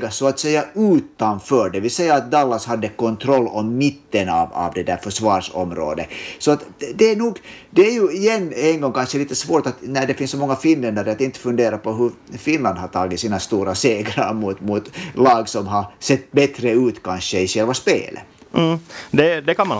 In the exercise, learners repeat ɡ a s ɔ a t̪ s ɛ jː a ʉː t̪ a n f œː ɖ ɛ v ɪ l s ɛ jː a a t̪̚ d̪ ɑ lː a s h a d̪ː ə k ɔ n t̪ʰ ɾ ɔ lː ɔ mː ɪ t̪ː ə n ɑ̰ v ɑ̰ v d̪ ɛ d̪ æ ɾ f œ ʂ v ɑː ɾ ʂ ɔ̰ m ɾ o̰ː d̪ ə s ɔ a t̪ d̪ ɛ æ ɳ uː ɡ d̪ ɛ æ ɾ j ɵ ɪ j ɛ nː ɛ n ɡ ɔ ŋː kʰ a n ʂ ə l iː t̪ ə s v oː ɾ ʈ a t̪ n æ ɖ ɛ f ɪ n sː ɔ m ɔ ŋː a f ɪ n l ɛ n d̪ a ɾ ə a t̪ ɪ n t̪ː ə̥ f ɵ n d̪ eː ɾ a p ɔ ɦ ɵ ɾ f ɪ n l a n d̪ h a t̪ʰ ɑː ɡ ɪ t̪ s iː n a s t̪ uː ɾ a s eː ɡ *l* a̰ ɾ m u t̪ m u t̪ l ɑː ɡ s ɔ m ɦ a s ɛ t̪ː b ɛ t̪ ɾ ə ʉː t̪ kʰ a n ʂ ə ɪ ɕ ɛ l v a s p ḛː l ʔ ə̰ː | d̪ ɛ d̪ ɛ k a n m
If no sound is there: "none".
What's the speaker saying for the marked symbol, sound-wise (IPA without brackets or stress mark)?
ɾ